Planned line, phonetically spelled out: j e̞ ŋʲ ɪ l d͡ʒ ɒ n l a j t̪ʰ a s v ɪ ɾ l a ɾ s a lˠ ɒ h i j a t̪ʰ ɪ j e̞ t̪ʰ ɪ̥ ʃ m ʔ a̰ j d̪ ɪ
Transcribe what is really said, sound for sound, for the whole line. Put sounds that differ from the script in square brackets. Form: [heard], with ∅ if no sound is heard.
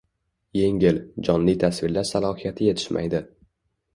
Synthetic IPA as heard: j e̞ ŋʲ ɪ l d͡ʒ ɒ n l [i] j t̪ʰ a s v ɪ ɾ l a ɾ s a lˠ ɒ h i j a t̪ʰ ɪ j e̞ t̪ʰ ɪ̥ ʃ m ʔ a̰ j d̪ ɪ